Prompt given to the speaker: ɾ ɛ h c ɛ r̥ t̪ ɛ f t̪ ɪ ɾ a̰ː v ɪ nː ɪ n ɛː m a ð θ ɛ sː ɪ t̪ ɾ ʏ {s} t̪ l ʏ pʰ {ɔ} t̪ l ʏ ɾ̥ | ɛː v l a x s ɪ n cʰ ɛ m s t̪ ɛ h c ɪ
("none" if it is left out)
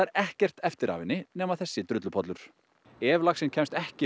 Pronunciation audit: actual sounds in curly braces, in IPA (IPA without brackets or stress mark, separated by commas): none, ɔ